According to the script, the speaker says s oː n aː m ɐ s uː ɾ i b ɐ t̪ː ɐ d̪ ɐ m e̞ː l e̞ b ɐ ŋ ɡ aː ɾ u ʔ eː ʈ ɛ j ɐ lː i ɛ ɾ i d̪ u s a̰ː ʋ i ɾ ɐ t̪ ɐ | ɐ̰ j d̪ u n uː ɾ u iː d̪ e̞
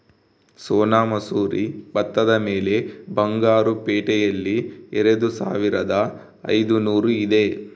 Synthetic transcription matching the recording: s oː n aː m ɐ s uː ɾ i b ɐ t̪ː ɐ d̪ ɐ m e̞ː l e̞ b ɐ ŋ ɡ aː ɾ u p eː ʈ ɛ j ɐ lː i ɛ ɾ e d̪ u s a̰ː ʋ i ɾ ɐ d̪ ɐ | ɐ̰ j d̪ u n uː ɾ u i d̪ e̞